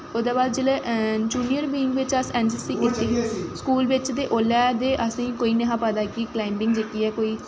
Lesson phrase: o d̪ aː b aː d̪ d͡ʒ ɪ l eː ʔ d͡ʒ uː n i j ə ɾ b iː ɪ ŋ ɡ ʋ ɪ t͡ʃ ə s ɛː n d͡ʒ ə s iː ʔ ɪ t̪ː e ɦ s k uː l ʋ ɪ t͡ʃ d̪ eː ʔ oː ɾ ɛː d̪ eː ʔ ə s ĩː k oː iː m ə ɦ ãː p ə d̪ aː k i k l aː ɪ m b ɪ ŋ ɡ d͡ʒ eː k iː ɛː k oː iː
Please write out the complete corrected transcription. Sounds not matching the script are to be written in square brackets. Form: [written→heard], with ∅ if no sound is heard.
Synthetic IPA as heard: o d̪ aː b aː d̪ d͡ʒ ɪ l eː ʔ d͡ʒ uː n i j ə ɾ b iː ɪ ŋ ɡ ʋ ɪ t͡ʃ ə s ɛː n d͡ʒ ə s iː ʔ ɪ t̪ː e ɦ s k uː l ʋ ɪ t͡ʃ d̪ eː ʔ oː [ɾ→l] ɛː d̪ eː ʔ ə s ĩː k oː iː [m→n] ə ɦ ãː p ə d̪ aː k i k l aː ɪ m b ɪ ŋ ɡ d͡ʒ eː k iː ɛː k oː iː